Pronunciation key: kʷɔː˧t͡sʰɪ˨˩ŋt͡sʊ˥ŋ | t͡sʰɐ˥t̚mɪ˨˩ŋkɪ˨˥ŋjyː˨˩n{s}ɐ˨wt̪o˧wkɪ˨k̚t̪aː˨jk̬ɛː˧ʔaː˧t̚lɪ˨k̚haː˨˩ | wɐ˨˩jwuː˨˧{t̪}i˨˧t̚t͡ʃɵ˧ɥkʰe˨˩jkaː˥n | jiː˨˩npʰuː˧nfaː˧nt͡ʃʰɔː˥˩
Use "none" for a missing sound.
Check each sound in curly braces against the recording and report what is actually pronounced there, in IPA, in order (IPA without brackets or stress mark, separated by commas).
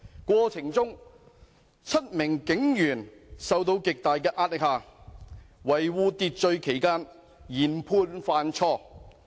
s, t̪